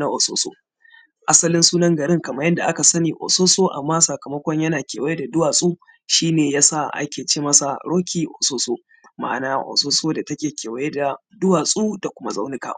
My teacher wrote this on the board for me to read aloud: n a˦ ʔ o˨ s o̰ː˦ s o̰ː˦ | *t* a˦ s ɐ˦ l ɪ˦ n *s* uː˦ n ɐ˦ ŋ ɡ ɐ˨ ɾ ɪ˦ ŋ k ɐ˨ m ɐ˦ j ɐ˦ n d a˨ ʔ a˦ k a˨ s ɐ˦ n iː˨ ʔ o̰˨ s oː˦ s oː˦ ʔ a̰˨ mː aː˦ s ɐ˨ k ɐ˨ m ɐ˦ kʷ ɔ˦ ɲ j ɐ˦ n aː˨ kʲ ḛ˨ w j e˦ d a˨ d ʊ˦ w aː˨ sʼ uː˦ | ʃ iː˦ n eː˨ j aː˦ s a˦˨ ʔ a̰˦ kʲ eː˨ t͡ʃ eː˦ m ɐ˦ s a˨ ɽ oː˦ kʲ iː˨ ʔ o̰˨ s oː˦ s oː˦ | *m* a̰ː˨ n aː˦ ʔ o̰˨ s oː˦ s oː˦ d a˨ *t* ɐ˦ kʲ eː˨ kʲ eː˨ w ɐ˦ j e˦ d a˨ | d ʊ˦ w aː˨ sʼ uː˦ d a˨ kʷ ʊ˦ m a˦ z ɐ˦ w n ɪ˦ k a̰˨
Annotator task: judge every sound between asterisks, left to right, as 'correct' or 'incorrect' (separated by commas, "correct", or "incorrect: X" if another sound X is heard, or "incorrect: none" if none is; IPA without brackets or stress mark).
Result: incorrect: ʔ, correct, correct, correct